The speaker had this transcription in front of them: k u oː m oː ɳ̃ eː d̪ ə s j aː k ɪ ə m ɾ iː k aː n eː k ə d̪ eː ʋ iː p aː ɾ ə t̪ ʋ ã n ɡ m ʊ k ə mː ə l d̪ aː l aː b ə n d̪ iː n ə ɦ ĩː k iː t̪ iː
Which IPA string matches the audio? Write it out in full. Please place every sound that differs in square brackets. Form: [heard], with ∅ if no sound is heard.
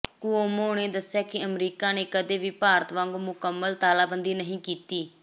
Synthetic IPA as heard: k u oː m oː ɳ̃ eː d̪ ə s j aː k ɪ ə m ɾ iː k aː n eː k ə d̪ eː ʋ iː p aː ɾ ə t̪ ʋ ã [ŋ] ɡ m ʊ k ə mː ə l [t̪] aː l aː b ə n d̪ iː n ə ɦ ĩː k iː t̪ iː